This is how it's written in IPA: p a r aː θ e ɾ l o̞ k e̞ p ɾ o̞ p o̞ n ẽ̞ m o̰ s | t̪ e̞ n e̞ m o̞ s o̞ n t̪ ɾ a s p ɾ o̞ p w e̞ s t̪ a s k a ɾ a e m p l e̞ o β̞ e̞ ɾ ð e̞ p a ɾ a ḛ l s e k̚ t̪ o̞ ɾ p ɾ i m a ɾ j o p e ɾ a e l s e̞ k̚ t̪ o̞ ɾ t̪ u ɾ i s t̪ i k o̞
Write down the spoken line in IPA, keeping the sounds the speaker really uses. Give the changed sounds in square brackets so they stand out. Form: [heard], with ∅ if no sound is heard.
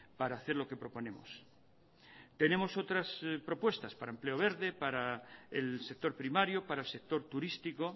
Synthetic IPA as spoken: p a [ɾ] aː θ e ɾ l o̞ k e̞ p ɾ o̞ p o̞ n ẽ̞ m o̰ s | t̪ e̞ n e̞ m o̞ s o̞ [∅] t̪ ɾ a s p ɾ o̞ p w e̞ s t̪ a s [p] a ɾ a e m p l e̞ o β̞ e̞ ɾ ð e̞ p a ɾ a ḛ l s e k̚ t̪ o̞ ɾ p ɾ i m a ɾ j o p [a] ɾ a e l s e̞ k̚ t̪ o̞ ɾ t̪ u ɾ i s t̪ i k o̞